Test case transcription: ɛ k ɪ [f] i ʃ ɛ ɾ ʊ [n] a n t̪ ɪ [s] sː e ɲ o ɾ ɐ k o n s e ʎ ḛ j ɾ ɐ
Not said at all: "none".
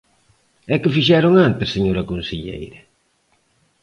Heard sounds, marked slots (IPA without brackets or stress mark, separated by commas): f, ŋ, s